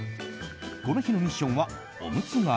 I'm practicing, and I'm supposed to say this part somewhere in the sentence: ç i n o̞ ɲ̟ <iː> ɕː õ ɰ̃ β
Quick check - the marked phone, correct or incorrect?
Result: incorrect